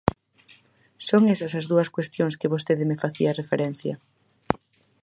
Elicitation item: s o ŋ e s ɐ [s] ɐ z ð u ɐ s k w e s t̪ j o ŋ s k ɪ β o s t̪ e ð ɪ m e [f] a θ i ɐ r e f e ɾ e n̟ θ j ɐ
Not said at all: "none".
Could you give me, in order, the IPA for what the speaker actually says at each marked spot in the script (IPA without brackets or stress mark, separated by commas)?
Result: s, f